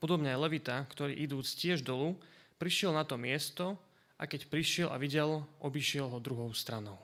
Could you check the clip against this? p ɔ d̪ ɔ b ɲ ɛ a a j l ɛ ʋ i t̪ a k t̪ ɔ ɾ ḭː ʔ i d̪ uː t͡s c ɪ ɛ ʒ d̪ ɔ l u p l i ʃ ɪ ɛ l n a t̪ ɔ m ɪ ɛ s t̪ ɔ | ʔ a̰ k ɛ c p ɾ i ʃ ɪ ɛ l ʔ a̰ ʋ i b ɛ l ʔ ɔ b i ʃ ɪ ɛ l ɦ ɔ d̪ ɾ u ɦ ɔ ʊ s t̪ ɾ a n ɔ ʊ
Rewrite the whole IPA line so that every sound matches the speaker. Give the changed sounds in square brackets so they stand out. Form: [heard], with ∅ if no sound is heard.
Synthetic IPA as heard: p ɔ d̪ ɔ b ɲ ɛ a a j l ɛ ʋ i t̪ a k t̪ ɔ ɾ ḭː ʔ i d̪ uː t͡s c ɪ ɛ ʒ d̪ ɔ l u p [ɾ] i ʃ ɪ ɛ l n a t̪ ɔ m ɪ ɛ s t̪ ɔ | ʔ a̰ k ɛ c p ɾ i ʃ ɪ ɛ l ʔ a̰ ʋ i [ɟ] ɛ l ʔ ɔ b i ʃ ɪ ɛ l ɦ ɔ d̪ ɾ u ɦ ɔ ʊ s t̪ ɾ a n ɔ ʊ